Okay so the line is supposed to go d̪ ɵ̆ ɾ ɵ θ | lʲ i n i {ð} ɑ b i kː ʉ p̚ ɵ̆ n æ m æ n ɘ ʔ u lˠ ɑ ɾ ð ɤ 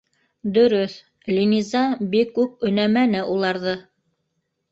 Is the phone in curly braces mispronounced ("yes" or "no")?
yes